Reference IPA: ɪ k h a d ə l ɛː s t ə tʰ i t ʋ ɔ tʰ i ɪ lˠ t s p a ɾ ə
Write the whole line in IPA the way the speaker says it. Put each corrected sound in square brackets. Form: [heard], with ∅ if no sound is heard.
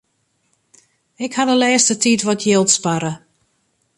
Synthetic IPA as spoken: ɪ k h a d ə l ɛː s t ə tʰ i t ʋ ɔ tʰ [j] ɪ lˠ t s p a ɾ ə